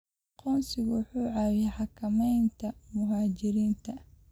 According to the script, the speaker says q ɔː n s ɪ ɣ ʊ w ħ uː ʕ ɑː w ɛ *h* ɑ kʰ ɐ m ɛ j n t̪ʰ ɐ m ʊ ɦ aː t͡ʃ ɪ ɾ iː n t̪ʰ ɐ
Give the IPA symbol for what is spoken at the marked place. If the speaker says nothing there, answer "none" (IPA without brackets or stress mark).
ħ